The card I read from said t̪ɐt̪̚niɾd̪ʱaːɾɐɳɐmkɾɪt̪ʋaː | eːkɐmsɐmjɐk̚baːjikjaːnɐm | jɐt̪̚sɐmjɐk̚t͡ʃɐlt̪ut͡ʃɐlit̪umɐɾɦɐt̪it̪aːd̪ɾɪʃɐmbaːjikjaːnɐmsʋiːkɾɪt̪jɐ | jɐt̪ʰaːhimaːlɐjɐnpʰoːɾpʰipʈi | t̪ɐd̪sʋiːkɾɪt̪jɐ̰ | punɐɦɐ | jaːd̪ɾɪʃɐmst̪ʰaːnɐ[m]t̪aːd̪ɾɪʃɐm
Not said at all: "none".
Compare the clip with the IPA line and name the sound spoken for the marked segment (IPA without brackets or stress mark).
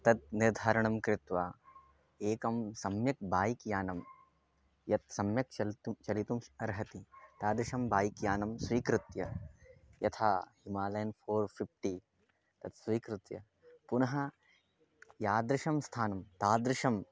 m